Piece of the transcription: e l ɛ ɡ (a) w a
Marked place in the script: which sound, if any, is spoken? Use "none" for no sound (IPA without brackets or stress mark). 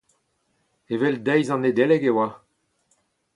e